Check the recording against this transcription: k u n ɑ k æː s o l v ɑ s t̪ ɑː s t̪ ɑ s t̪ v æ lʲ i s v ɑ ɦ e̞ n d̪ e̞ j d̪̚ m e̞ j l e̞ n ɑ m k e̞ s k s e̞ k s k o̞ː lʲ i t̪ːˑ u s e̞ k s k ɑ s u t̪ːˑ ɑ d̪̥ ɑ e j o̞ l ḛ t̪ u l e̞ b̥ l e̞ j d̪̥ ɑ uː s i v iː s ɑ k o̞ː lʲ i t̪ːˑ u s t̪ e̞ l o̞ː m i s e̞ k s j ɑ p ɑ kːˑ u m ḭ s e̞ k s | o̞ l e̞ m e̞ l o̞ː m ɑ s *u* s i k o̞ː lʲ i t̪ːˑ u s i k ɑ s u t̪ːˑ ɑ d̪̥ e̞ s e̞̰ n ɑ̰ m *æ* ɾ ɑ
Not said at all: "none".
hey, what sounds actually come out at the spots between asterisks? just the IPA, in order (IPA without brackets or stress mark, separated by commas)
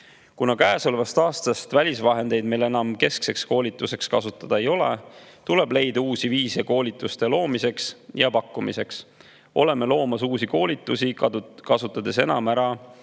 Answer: uː, æ